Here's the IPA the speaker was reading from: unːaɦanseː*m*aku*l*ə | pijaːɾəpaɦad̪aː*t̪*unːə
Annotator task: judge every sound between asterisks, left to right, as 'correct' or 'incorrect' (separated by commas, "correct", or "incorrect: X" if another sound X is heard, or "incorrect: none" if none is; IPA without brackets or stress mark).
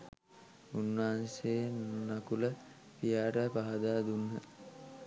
incorrect: n, correct, incorrect: d̪